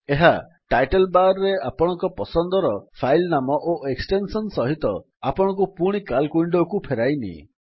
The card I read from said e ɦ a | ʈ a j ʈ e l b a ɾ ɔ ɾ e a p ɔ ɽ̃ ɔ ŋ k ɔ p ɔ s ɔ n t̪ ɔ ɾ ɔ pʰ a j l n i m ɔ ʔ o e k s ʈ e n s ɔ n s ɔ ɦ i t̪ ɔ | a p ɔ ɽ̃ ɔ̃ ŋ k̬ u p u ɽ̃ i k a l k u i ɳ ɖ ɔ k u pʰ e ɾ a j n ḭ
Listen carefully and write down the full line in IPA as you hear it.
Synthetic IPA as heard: e ɦ a | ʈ a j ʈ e l b a ɾ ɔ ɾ e a p ɔ ɽ̃ ɔ ŋ k ɔ p ɔ s ɔ n d̪ ɔ ɾ ɔ pʰ a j l n a m ɔ ʔ o e k s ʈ e n s ɔ n s ɔ ɦ i t̪ ɔ | a p ɔ ɽ̃ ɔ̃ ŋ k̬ u p u ɽ̃ i k a l k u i ɳ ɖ ɔ k u pʰ e ɾ a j n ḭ

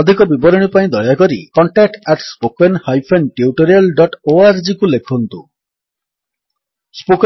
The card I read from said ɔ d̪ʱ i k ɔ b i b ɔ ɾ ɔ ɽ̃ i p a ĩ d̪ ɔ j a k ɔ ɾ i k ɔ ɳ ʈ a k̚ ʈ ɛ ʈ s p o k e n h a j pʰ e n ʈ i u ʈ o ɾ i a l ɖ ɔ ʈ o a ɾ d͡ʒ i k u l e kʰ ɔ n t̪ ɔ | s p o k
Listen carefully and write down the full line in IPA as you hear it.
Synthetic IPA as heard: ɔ d̪ʱ i k ɔ b i b ɔ ɾ ɔ ɽ̃ i p a ĩ d̪ ɔ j a k ɔ ɾ i k ɔ ɳ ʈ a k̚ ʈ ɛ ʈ s p o k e n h a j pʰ e n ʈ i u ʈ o ɾ i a l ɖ ɔ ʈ o a ɾ d͡ʒ i k u l e kʰ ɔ n t̪ u | s p o k

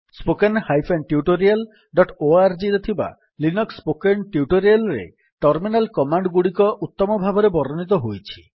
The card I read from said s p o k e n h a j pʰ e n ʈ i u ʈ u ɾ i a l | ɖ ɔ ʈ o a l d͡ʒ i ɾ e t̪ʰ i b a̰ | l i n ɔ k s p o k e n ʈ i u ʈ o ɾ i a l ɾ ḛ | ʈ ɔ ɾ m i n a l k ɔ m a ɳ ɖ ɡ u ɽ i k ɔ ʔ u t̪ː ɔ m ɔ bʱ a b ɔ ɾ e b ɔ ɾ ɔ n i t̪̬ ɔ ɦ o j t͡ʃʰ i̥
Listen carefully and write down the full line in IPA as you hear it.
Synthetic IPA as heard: s p o k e n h a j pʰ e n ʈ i u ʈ o ɾ i a l | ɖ ɔ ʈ o a ɾ d͡ʒ i ɾ e t̪ʰ i b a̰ | l i n ɔ k s p o k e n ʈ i u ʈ o ɾ i a l ɾ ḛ | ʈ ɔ ɾ m i n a l k ɔ m a ɳ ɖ ɡ u ɽ i k ɔ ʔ u t̪ː ɔ m ɔ bʱ a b ɔ ɾ e b ɔ ɾ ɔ n i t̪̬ ɔ ɦ o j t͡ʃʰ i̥

